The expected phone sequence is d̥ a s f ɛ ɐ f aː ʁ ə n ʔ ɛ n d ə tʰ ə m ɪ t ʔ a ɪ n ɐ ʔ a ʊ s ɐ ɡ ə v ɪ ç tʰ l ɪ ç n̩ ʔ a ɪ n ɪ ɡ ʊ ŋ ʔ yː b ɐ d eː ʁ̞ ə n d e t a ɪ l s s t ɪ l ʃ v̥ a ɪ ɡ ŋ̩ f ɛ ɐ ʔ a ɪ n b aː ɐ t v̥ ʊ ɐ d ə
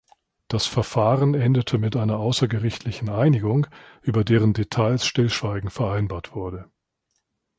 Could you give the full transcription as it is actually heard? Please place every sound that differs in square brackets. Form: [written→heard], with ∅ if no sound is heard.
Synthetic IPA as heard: d̥ a s f ɛ ɐ f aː ʁ ə n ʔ ɛ n d ə tʰ ə m ɪ t ʔ a ɪ n ɐ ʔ a ʊ s ɐ ɡ ə [v→ʁ] ɪ ç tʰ l ɪ ç n̩ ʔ a ɪ n ɪ ɡ ʊ ŋ ʔ yː b ɐ d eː ʁ̞ ə n d e [t→tʰ] a ɪ l s [s→ʃ] t ɪ l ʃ v̥ a ɪ ɡ ŋ̩ f ɛ ɐ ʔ a ɪ n b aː ɐ t v̥ ʊ ɐ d ə